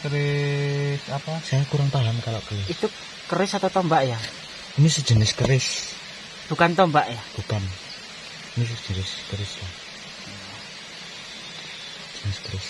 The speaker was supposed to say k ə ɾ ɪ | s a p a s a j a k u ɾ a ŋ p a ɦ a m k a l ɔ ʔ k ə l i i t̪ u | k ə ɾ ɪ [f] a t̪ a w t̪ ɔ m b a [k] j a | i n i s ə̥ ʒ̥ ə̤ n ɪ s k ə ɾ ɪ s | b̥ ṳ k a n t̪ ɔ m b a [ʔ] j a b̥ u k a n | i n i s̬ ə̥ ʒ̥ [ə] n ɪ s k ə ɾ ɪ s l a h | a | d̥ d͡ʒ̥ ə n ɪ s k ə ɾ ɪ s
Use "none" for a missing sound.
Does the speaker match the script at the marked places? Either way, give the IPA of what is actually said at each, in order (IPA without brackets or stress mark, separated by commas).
s, ʔ, ʔ, ə